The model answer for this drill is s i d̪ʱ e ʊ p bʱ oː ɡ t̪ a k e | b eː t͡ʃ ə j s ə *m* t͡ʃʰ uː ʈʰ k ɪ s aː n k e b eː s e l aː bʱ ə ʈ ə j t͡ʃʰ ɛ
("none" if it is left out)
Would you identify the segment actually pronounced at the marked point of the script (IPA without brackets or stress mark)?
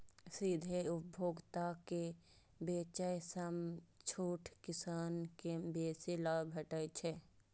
m